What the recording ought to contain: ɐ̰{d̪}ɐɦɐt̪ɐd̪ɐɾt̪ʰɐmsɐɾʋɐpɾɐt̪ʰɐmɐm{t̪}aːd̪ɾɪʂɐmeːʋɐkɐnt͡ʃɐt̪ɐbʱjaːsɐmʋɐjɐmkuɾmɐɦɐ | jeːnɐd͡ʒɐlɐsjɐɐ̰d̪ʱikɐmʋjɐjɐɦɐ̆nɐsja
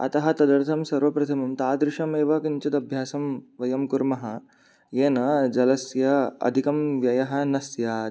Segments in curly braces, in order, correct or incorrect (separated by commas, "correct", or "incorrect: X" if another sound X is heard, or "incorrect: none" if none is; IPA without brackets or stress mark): incorrect: t̪, correct